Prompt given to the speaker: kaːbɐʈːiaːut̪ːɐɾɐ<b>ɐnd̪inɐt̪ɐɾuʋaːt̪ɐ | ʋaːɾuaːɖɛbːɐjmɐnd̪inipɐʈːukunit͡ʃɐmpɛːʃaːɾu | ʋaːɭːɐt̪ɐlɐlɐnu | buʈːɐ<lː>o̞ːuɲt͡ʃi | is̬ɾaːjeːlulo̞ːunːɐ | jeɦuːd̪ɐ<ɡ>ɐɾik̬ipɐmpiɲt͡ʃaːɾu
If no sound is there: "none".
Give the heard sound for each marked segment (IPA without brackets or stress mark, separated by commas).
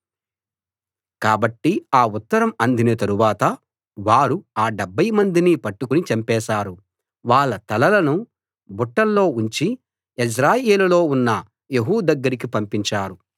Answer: m, lː, ɡː